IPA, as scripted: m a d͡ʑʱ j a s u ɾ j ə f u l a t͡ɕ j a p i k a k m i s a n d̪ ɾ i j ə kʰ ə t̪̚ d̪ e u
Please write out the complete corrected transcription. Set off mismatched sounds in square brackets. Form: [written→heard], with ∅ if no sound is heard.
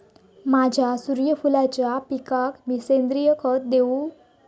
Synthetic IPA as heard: m a d͡ʑʱ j a s u ɾ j ə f u l a t͡ɕ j a p i k a k m i s [a→e] n d̪ ɾ i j ə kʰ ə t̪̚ d̪ e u